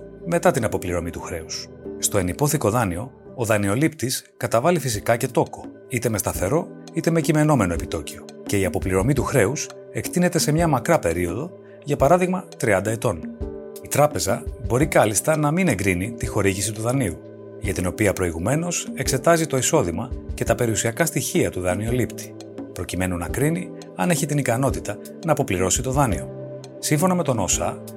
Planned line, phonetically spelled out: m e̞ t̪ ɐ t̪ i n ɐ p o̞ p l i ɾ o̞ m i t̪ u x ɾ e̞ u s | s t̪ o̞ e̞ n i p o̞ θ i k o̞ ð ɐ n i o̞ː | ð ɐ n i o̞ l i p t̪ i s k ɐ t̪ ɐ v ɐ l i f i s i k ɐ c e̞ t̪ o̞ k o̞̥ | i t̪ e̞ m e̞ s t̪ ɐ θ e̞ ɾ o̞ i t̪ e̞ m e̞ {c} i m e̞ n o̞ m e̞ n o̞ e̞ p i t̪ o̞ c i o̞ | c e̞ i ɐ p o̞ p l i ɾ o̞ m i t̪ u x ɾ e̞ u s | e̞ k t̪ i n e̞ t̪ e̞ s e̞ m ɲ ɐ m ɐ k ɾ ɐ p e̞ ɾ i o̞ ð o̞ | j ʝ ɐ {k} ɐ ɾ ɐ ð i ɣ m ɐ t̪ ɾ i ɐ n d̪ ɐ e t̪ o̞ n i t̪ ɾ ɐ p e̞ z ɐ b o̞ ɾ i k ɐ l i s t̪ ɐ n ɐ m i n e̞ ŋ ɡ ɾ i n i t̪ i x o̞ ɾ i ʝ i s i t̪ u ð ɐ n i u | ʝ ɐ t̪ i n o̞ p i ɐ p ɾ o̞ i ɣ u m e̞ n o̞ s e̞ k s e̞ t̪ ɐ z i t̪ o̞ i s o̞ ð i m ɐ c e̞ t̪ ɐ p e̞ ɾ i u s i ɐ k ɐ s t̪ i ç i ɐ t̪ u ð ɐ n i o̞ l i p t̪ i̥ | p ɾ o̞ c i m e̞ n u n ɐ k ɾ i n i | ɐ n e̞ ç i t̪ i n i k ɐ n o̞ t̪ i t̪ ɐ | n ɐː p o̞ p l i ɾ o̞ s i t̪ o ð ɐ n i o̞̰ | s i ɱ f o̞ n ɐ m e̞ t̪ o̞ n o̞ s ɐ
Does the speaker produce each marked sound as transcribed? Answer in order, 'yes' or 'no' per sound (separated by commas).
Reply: yes, no